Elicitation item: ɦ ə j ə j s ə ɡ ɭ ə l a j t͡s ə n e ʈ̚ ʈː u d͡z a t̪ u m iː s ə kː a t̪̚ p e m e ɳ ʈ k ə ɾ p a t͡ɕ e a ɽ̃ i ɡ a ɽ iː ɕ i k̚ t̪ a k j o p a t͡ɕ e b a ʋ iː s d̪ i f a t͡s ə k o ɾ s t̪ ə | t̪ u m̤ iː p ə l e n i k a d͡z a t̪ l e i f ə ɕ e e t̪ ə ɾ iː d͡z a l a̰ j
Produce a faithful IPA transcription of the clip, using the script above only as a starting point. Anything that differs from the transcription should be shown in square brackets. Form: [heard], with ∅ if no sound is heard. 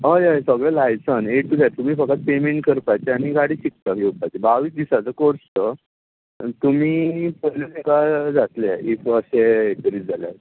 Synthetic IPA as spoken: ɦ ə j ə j s ə ɡ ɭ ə l a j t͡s ə n e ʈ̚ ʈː u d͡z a t̪ u m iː [f] ə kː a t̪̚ p e m e ɳ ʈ k ə ɾ p a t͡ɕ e a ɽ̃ i ɡ a ɽ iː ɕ i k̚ t̪ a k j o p a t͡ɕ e b a ʋ iː s d̪ i [s] a t͡s ə k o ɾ s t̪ ə | t̪ u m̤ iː p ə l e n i k a d͡z a t̪ l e i f ə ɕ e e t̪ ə ɾ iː d͡z a l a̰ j